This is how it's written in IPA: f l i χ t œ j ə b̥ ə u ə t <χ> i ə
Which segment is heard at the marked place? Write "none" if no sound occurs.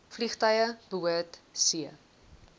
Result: s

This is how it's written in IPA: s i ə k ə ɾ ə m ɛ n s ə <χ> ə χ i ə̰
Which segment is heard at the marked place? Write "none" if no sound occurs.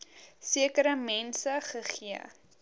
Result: χ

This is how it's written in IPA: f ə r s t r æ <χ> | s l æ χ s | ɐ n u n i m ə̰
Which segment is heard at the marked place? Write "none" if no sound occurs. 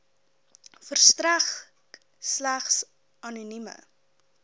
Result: χ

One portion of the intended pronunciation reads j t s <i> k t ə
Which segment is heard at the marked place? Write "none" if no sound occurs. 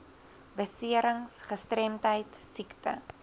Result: i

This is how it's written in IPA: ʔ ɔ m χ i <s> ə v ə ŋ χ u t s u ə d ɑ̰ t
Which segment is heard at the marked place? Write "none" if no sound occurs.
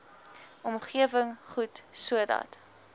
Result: none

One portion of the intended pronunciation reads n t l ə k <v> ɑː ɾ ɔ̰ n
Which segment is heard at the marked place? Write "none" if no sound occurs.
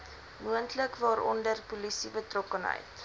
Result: v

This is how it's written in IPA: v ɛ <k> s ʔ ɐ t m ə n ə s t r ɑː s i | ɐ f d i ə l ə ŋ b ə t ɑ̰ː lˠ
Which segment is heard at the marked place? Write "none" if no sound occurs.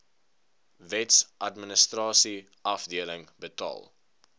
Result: t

